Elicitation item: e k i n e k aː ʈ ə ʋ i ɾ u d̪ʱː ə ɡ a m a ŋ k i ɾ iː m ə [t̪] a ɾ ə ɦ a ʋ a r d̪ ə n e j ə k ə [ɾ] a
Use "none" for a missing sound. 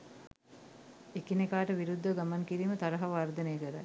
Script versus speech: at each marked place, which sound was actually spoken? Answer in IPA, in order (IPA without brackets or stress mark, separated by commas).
t̪, ɾ